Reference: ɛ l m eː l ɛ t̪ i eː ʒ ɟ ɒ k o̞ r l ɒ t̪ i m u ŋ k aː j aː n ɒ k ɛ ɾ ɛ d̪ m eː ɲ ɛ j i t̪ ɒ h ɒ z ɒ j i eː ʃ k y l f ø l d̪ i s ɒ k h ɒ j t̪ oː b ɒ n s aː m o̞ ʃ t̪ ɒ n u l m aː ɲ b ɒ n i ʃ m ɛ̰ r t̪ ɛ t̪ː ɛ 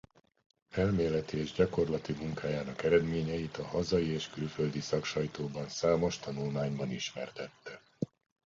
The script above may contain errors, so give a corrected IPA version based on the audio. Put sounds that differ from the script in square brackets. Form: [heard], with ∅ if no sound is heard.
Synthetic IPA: ɛ l m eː l ɛ t̪ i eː ʒ ɟ ɒ k o̞ r l ɒ t̪ i m u ŋ k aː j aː n ɒ k ɛ ɾ ɛ d̪ m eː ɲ ɛ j i t̪ ɒ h ɒ z ɒ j i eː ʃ k y l f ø l d̪ i s ɒ k [ʃ] ɒ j t̪ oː b ɒ n s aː m o̞ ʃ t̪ ɒ n u l m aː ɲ b ɒ n i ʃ m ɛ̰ r t̪ ɛ t̪ː ɛ